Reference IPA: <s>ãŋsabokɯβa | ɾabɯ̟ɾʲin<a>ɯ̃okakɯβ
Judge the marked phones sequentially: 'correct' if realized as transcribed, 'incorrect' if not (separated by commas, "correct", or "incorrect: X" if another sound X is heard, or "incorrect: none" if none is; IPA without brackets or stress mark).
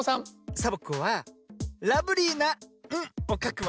correct, correct